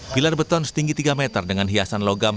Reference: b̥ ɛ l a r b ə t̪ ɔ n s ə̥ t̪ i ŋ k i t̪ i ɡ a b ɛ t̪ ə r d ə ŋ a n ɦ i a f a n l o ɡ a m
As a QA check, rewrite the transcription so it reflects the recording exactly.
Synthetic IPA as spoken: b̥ i l a r b ə t̪ ɔ n s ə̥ t̪ i ŋ ɡ i t̪ i ɡ a m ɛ t̪ ə r d ə ŋ a n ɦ i a s a n l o ɡ a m